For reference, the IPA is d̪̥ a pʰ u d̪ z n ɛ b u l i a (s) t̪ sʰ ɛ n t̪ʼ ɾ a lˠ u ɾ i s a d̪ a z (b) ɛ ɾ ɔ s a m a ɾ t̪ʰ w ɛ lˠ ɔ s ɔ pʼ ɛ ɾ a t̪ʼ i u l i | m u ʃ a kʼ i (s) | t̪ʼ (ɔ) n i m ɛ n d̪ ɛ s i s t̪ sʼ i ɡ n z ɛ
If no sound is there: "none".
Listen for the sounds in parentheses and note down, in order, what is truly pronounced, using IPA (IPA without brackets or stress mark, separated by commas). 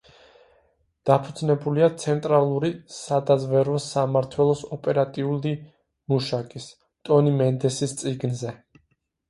none, v, s, ɔ